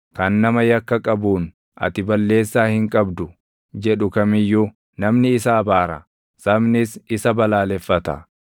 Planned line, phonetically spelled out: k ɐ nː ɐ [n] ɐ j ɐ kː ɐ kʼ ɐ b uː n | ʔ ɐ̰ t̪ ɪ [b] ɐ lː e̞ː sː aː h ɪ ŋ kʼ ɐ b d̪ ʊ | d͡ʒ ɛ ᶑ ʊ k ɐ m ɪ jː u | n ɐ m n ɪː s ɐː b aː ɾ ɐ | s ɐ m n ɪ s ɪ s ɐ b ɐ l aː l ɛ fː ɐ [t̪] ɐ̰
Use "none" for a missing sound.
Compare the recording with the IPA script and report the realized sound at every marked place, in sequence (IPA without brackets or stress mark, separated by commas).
m, b, t̪